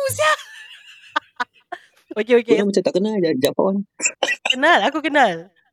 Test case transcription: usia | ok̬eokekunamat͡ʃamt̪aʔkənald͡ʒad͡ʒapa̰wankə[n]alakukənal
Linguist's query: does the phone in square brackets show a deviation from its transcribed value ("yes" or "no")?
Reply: no